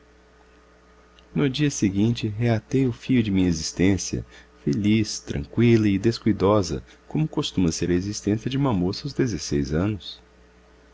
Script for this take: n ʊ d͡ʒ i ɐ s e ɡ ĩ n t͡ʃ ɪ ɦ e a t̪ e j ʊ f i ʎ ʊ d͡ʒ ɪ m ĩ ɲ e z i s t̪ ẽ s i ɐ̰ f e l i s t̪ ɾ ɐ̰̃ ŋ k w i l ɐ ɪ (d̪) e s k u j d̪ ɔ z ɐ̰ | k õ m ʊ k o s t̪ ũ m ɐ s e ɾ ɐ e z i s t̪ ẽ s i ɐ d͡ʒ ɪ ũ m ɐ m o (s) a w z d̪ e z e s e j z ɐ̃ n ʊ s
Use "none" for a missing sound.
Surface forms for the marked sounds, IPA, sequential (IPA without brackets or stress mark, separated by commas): d̪, s